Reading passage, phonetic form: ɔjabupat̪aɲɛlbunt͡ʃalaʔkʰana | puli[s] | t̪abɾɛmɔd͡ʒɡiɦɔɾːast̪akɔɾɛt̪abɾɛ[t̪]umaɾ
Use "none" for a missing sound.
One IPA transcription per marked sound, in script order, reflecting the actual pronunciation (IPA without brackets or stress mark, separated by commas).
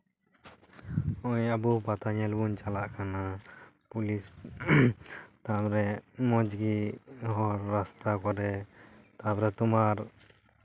s, t̪